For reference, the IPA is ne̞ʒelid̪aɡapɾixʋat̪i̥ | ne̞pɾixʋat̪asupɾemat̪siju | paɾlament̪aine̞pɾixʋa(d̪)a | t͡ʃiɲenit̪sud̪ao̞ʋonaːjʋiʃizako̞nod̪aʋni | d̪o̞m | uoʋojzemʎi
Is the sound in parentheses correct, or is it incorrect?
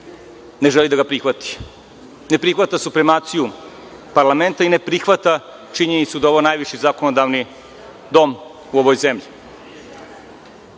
incorrect